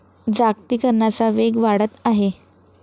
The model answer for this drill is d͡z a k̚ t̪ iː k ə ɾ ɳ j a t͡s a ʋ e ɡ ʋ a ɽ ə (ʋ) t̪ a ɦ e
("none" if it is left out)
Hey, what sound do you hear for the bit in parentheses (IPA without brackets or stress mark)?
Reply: none